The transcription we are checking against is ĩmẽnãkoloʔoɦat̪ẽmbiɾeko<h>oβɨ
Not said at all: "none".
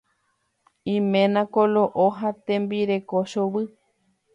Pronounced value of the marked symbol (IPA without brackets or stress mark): ʃ